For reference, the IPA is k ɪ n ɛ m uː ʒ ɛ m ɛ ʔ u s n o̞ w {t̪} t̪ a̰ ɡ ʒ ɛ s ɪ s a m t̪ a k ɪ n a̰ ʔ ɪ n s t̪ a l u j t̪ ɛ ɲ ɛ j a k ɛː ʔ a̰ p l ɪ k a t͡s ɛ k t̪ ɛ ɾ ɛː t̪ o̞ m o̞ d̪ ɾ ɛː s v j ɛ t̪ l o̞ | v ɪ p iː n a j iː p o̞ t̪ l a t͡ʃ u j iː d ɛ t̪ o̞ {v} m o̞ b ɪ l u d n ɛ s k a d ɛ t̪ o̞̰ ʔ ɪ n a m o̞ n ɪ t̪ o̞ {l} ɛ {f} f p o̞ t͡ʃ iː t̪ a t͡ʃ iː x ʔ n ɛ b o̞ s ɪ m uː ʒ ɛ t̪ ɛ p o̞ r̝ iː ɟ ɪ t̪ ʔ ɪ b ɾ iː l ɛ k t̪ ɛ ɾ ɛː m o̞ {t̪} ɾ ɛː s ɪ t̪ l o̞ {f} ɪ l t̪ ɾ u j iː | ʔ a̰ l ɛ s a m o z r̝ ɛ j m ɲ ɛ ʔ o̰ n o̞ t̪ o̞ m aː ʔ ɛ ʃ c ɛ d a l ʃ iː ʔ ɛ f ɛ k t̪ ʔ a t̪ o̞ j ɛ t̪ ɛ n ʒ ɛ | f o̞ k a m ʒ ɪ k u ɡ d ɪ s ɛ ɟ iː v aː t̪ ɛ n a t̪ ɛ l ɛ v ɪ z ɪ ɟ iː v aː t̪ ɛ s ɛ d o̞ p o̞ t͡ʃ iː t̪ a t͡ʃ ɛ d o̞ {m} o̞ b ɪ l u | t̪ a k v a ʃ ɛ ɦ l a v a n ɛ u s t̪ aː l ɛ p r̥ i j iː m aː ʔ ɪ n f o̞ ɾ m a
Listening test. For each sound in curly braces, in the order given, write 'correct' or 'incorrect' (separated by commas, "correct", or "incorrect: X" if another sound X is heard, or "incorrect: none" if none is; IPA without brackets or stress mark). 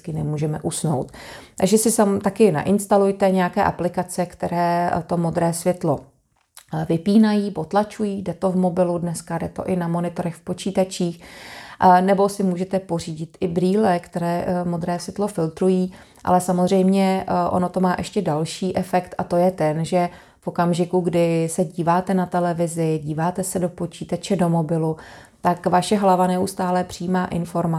correct, correct, incorrect: ɾ, incorrect: x, incorrect: d̪, correct, correct